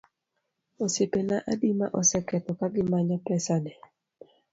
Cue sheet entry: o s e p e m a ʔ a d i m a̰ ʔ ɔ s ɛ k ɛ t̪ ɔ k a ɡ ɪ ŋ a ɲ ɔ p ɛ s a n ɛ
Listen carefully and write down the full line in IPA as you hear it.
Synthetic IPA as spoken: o s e p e n a ʔ a d i m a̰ ʔ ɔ s ɛ k ɛ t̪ ɔ k a ɡ ɪ m a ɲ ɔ p ɛ s a n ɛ